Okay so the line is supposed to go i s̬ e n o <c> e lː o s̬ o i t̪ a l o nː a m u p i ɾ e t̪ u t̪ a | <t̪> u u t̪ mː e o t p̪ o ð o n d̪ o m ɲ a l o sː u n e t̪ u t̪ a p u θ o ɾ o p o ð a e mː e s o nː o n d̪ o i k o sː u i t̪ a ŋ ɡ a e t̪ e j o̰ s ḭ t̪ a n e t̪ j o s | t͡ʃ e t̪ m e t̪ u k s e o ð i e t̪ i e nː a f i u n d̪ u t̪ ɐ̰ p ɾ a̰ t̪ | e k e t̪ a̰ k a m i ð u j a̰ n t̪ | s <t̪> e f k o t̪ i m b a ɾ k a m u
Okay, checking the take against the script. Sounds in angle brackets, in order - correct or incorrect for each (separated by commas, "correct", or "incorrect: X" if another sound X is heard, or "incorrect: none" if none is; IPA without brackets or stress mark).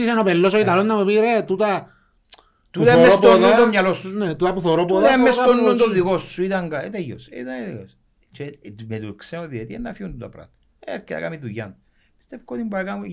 incorrect: p, correct, correct